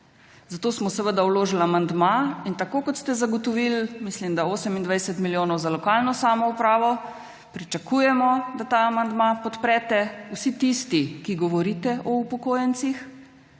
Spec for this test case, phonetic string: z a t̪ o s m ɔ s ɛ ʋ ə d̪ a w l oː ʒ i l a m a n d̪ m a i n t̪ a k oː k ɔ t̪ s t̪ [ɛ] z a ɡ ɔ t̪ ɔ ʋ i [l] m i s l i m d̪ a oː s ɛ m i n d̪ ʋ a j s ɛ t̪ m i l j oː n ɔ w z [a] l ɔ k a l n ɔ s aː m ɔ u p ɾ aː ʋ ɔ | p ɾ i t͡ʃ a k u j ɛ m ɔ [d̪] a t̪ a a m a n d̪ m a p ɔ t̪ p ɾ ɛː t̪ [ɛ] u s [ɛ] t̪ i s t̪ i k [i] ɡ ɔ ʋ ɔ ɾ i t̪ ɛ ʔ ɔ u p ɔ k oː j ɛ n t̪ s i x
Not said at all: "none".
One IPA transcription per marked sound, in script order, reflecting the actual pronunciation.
ɛ, l, a, d̪, ɛ, i, i

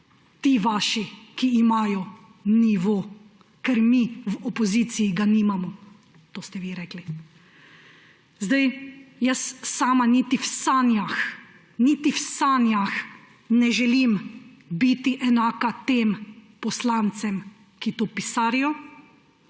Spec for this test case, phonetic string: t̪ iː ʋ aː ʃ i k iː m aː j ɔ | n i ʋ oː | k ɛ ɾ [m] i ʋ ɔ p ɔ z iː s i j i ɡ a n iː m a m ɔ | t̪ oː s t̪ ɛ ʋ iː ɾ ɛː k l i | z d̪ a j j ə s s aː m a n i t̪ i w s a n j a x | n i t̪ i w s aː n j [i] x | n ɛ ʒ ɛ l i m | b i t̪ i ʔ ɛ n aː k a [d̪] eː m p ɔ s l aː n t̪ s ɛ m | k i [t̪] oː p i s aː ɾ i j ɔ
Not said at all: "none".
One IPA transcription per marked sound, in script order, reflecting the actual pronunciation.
m, a, t̪, t̪

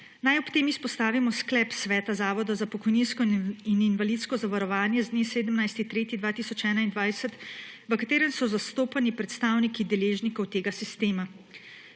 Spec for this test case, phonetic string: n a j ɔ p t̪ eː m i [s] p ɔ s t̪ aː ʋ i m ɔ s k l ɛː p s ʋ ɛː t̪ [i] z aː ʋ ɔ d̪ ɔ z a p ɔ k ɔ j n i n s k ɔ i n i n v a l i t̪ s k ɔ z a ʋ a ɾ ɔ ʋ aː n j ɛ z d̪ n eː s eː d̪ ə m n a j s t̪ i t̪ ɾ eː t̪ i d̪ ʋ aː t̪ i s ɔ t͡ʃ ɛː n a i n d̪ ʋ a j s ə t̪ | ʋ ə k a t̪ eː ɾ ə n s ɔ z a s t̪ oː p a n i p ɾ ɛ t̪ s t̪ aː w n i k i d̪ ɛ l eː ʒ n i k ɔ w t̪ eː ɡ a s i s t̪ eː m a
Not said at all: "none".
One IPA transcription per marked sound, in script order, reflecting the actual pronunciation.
s, a

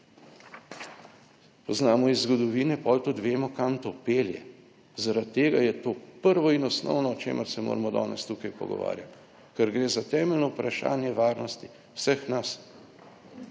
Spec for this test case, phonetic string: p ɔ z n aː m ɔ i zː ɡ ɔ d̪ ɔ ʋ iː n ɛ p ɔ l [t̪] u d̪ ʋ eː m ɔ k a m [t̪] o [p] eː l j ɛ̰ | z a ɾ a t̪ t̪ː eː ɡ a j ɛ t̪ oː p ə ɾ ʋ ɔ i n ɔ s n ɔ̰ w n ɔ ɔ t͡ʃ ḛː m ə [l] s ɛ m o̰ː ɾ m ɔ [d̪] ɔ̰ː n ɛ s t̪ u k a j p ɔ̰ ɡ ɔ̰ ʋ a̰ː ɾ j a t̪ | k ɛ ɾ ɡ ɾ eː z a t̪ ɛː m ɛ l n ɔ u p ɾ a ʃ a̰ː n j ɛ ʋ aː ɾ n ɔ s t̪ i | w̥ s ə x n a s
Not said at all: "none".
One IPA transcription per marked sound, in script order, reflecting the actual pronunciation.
t̪, t̪, p, ɾ, d̪

